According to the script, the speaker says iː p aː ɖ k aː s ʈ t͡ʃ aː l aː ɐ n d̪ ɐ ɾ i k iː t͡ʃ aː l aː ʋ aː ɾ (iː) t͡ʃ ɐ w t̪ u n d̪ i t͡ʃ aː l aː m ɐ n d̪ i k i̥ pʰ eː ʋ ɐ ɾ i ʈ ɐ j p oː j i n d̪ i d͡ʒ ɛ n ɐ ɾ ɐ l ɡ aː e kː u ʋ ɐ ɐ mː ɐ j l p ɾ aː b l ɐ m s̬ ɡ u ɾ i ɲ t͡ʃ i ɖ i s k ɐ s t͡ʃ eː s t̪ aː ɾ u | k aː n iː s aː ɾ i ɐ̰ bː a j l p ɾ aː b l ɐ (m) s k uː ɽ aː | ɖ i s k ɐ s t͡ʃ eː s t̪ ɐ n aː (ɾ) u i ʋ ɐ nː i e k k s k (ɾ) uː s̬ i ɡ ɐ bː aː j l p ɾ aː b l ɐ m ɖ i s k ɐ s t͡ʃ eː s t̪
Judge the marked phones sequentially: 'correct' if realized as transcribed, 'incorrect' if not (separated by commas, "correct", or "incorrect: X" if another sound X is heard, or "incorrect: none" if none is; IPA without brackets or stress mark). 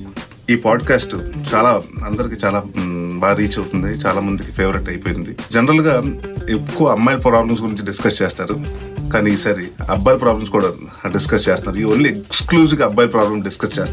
correct, correct, correct, incorrect: l